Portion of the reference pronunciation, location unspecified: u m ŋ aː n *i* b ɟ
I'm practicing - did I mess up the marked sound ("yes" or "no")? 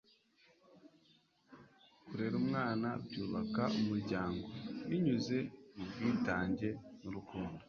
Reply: yes